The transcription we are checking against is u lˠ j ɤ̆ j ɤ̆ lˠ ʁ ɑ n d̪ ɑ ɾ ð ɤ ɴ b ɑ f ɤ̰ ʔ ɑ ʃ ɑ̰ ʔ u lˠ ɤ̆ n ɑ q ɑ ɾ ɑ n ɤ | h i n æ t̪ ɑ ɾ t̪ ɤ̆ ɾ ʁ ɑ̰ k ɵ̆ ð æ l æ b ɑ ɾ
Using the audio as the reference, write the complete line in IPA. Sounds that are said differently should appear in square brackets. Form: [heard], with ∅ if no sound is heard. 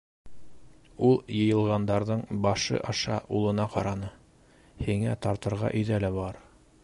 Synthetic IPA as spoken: u lˠ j ɤ̆ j ɤ̆ lˠ ʁ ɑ n d̪ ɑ ɾ ð ɤ ɴ b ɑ [ʃ] ɤ̰ ʔ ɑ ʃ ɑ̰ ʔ u lˠ ɤ̆ n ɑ q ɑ ɾ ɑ n ɤ | h i [ŋ] æ t̪ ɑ ɾ t̪ ɤ̆ ɾ ʁ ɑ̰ [ʔ] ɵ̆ ð æ l æ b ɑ ɾ